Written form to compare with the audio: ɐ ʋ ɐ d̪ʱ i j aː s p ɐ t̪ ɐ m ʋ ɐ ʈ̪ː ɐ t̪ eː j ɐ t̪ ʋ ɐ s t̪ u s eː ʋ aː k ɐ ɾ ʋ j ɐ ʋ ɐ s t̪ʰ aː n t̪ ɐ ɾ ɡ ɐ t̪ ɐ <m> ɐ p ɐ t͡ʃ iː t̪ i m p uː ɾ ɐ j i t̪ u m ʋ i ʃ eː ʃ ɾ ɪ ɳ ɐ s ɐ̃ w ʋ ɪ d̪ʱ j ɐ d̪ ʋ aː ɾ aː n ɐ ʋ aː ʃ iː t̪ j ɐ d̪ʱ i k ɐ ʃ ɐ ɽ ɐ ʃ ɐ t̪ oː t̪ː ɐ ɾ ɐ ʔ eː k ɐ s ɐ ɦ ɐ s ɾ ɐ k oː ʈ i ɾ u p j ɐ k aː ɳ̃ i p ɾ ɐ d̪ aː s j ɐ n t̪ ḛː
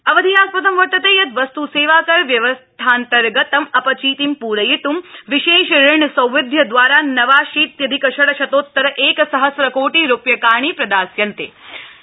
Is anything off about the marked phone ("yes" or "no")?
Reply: no